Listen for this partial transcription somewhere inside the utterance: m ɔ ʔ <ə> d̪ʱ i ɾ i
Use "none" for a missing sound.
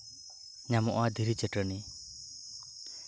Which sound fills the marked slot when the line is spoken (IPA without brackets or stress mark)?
a